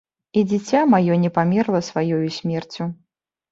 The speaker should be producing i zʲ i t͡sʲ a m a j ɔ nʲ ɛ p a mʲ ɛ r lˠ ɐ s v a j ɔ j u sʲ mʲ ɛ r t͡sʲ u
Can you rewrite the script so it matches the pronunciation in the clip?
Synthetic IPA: i d͡zʲ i t͡sʲ a m a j ɔ nʲ ɛ p a mʲ ɛ r lˠ ɐ s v a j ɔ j u sʲ mʲ ɛ r t͡sʲ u